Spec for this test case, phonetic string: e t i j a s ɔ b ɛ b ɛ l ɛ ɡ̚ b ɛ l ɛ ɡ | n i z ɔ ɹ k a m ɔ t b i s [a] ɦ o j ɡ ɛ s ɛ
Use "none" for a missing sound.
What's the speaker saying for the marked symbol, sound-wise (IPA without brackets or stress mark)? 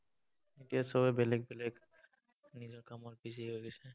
i